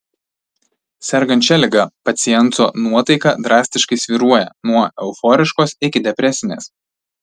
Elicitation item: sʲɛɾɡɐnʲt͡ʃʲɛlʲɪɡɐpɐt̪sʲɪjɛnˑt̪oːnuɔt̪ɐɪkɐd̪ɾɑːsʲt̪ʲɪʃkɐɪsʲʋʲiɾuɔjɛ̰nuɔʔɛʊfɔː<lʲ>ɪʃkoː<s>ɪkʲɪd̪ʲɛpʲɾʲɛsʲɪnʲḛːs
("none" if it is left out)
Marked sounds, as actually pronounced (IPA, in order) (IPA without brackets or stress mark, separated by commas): ɾʲ, s